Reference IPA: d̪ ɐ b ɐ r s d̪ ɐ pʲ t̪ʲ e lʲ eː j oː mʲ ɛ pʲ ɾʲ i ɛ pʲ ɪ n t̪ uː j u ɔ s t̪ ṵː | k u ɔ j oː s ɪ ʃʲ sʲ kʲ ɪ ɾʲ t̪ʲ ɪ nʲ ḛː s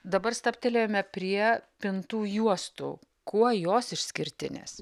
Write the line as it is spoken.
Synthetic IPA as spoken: d̪ ɐ b ɐ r s t̪ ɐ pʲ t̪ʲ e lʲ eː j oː mʲ ɛ pʲ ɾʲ i ɛ pʲ ɪ n t̪ uː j u ɔ s t̪ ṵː | k u ɔ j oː s ɪ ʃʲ sʲ kʲ ɪ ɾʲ t̪ʲ ɪ nʲ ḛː s